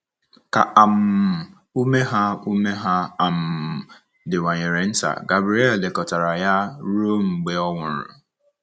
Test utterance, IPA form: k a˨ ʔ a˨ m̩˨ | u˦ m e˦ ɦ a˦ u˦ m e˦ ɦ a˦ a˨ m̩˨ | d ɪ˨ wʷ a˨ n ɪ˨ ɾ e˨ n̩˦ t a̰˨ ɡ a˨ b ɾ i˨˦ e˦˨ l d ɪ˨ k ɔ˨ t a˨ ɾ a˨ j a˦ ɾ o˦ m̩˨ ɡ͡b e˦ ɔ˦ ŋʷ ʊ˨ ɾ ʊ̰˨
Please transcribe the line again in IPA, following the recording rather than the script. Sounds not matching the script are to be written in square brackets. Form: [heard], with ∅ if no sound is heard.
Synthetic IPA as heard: k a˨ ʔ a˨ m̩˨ | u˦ m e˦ ɦ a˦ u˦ m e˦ ɦ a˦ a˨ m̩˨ | d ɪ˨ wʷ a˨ [ɲ] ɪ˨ ɾ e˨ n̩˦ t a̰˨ ɡ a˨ b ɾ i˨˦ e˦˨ l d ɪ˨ k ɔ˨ t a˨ ɾ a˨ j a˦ ɾ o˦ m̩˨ ɡ͡b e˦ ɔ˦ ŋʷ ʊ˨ ɾ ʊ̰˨